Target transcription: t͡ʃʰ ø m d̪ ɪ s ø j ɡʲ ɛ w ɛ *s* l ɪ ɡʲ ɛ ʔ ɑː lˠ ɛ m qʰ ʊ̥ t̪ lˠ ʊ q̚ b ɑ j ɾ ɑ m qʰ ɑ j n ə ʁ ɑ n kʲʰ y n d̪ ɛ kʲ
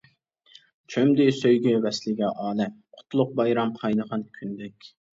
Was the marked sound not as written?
no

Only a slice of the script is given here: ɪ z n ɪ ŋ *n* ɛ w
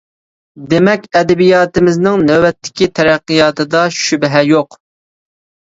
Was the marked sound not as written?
no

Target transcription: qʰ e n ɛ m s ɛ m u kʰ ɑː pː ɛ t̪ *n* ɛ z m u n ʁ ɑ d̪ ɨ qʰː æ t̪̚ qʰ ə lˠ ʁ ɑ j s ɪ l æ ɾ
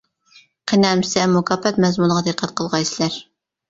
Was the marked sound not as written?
yes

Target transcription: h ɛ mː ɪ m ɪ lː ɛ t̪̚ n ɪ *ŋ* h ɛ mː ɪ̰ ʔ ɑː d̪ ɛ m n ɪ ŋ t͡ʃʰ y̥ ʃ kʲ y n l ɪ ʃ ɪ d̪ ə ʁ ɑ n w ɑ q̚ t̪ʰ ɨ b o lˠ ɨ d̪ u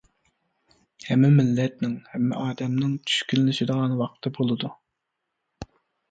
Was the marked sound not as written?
no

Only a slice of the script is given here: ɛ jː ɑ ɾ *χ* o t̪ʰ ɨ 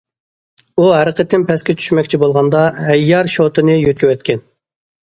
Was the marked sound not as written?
yes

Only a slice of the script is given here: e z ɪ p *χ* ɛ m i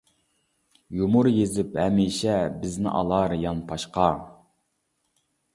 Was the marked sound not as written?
yes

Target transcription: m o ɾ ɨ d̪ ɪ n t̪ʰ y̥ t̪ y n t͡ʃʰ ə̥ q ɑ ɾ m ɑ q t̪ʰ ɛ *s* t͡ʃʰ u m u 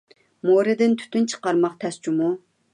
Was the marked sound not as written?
no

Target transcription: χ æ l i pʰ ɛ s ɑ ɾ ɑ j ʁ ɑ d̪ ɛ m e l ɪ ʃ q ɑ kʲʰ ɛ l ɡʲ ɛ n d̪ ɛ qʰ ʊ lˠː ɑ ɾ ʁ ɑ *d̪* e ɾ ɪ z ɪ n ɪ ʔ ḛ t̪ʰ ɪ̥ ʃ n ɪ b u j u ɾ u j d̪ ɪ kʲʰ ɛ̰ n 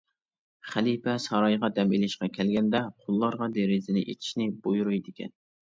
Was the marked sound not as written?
no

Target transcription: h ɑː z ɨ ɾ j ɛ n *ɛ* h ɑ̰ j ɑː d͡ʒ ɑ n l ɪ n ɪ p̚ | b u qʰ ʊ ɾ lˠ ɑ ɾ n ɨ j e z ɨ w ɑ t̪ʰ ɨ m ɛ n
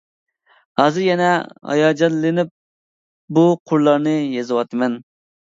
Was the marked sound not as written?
no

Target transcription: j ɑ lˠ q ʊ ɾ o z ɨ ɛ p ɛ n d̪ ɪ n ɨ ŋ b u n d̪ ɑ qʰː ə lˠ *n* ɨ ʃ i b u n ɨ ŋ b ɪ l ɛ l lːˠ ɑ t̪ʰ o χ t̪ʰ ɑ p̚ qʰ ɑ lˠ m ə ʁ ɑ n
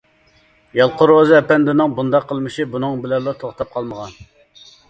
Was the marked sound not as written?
yes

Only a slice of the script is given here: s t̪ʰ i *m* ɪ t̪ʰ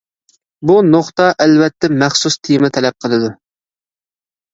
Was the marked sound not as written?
no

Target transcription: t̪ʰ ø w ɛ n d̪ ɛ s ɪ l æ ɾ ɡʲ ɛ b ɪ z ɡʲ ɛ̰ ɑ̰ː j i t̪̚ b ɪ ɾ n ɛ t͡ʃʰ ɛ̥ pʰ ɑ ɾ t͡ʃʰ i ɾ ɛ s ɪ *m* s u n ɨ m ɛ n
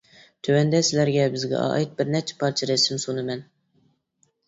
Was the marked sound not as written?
no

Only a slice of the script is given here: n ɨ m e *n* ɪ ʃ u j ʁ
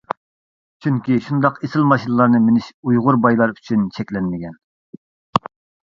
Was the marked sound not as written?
no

